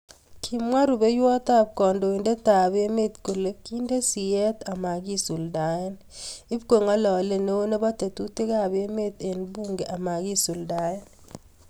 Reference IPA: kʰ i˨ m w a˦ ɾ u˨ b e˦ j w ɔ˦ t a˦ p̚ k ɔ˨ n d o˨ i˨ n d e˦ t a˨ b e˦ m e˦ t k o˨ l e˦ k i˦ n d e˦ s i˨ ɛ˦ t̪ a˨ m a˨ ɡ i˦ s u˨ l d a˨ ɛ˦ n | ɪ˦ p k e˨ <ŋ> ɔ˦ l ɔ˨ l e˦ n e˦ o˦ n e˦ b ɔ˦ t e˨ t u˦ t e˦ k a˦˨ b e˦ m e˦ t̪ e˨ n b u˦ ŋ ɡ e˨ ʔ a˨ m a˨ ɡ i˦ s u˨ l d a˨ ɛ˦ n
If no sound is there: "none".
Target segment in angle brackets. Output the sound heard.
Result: ŋ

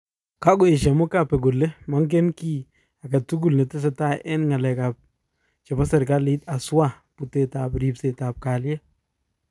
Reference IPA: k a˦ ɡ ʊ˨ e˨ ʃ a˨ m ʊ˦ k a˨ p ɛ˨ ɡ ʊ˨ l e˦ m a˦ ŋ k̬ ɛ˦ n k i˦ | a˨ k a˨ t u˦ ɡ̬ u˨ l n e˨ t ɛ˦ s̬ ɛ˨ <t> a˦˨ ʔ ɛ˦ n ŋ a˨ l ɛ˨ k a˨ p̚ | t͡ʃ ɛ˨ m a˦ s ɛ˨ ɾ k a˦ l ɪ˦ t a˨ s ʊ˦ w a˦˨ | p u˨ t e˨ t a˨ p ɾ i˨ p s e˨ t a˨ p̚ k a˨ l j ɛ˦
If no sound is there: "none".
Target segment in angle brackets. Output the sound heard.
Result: t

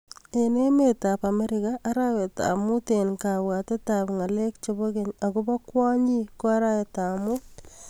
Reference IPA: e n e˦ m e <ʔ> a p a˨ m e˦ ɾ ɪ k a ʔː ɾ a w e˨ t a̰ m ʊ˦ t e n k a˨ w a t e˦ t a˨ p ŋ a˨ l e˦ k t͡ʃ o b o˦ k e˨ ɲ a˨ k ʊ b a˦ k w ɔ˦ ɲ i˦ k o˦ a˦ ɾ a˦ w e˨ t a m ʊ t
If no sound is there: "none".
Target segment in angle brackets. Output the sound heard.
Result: t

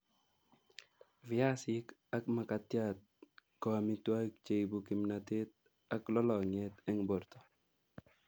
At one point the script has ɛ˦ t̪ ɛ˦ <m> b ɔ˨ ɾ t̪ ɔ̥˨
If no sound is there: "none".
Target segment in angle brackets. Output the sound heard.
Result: ŋ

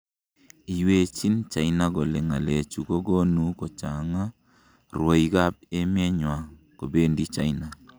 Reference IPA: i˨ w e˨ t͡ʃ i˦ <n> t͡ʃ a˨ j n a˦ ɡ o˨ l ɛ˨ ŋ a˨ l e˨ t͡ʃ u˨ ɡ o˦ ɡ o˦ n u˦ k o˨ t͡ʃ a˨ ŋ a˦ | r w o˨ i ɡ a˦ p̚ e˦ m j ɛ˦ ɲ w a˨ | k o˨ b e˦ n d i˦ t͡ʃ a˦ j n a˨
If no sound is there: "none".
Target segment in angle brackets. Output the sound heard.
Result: n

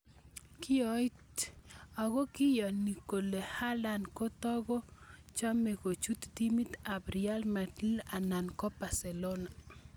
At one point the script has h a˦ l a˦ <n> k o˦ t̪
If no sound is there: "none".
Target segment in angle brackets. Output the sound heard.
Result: n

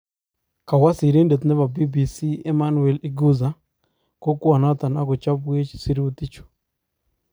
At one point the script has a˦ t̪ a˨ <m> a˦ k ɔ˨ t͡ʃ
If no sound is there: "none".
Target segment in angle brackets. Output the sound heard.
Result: n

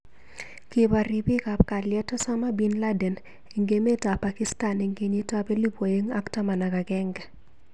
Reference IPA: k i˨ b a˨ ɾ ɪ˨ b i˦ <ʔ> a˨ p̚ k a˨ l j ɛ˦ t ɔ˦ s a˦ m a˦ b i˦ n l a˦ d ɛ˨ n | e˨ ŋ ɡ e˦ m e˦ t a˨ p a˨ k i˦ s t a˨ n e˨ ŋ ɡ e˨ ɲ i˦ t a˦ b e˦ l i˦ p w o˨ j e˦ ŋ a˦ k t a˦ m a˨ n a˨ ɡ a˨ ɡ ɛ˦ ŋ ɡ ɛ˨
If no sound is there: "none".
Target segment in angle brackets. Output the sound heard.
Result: k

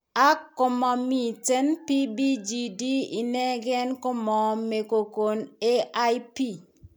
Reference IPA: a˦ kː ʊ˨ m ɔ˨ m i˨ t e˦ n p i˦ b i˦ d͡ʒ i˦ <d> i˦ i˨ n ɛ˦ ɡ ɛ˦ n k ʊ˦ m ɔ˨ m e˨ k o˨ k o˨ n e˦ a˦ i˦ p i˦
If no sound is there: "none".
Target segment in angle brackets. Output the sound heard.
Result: d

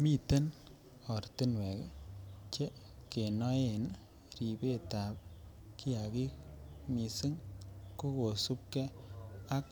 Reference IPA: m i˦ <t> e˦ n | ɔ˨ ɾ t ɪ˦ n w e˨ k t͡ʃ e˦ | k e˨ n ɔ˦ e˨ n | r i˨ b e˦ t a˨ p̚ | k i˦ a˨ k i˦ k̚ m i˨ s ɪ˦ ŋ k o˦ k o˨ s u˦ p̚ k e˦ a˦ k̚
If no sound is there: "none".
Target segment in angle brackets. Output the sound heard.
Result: t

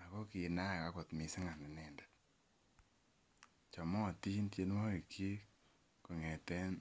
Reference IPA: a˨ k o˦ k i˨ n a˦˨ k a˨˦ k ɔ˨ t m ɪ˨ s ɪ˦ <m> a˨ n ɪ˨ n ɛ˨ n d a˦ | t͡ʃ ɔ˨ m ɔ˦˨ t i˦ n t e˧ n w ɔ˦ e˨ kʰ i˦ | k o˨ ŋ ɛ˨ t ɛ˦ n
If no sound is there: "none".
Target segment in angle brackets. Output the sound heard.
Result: ŋ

